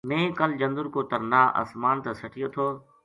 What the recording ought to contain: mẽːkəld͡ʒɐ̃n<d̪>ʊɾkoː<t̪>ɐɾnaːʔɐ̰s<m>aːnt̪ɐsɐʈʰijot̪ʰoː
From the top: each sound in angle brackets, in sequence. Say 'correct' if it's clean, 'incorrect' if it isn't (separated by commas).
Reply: correct, correct, correct